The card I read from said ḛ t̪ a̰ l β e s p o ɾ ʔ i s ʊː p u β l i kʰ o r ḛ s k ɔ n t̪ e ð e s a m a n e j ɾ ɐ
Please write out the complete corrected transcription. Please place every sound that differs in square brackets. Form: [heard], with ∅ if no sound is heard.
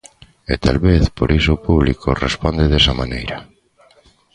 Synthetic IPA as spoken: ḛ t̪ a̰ l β e [θ] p o ɾ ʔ i s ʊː p u β l i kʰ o r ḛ s [p] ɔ n [d̪] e ð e s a m a n e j ɾ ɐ